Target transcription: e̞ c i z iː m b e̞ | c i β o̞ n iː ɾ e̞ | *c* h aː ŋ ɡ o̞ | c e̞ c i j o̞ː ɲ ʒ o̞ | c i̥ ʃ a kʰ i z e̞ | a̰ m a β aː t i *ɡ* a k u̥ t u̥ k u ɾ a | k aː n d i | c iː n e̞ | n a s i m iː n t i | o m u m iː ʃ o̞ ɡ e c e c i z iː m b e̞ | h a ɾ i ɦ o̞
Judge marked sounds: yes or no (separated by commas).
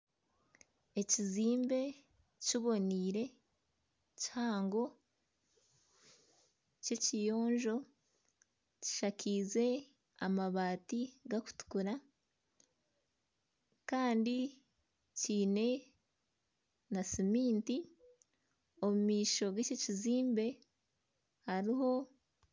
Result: yes, yes